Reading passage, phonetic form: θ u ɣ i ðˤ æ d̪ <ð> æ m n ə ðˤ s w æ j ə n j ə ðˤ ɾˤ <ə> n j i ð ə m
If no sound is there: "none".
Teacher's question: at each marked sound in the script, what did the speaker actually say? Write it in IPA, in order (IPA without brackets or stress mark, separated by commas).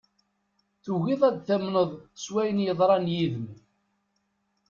θ, ɑ